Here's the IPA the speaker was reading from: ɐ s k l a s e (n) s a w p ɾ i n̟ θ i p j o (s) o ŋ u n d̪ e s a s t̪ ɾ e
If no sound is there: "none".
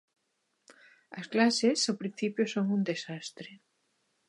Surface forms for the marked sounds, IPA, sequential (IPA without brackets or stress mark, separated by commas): none, s